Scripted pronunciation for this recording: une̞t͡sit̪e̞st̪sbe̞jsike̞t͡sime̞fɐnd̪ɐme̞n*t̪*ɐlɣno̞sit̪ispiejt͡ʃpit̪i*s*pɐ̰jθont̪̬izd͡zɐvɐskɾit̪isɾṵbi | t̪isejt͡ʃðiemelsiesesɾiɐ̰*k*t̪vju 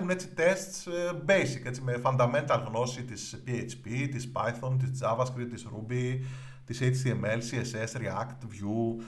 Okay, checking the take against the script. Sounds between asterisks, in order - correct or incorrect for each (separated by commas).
correct, correct, correct